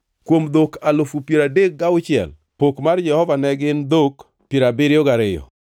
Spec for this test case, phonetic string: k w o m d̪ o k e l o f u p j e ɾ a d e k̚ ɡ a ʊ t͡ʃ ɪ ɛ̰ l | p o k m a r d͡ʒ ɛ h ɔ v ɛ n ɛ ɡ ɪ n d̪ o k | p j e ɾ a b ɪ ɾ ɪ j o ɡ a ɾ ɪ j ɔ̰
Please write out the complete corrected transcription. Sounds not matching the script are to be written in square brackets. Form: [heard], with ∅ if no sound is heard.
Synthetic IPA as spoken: k w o m d̪ o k [a] l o f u p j e ɾ a d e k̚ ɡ a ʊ t͡ʃ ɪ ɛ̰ l | p o k m a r d͡ʒ ɛ h ɔ v [a] n ɛ ɡ ɪ n d̪ o k | p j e ɾ a b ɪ ɾ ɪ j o ɡ a ɾ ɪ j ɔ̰